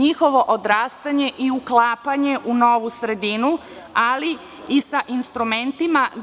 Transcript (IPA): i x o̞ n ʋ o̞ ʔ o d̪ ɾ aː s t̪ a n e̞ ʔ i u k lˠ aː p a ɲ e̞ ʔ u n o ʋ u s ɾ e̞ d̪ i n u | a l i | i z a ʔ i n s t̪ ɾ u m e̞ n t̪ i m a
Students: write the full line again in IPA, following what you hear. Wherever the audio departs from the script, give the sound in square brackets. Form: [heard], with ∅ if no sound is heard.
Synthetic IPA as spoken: i x o̞ [∅] ʋ o̞ ʔ o d̪ ɾ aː s t̪ a [ɲ] e̞ ʔ i u k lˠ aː p a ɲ e̞ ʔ u n o ʋ u s ɾ e̞ d̪ i n u | a l i | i [s] a ʔ i n s t̪ ɾ u m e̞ n t̪ i m a